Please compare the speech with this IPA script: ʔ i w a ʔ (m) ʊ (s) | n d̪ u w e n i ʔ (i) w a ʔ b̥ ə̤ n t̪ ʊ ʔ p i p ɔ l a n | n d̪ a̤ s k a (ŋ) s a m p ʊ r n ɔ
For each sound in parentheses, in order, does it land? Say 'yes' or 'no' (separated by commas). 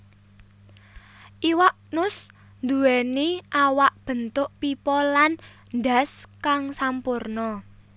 no, yes, no, yes